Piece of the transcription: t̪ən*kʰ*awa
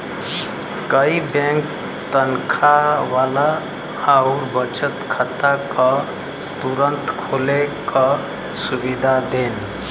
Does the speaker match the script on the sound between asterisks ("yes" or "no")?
yes